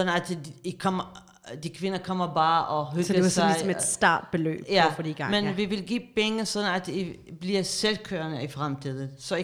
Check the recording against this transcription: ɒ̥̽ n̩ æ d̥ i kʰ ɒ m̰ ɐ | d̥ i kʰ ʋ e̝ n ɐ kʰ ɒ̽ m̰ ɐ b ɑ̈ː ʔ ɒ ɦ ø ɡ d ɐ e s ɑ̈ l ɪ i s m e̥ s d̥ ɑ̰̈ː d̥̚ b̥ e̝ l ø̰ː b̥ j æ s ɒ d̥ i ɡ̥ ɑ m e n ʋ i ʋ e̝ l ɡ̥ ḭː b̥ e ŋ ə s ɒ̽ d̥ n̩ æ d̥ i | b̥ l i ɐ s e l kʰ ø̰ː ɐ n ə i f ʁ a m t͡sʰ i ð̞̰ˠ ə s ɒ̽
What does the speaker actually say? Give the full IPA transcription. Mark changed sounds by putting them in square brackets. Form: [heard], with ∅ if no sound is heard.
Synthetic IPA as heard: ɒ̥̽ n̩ æ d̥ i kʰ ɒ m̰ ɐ | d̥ i kʰ ʋ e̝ n ɐ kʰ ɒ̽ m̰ ɐ b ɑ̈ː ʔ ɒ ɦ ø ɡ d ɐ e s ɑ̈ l ɪ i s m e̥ s d̥ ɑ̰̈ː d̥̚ b̥ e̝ l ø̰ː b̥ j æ [f] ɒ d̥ i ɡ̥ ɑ m e n ʋ i ʋ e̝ l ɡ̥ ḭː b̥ e ŋ ə s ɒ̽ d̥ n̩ æ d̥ i | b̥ l i ɐ s e l kʰ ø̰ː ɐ n ə i f ʁ a m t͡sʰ i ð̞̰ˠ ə s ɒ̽